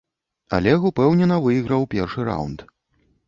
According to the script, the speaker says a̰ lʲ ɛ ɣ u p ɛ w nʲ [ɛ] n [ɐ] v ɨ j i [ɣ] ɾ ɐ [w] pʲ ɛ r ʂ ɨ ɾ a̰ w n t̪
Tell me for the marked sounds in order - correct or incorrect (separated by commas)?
correct, correct, correct, correct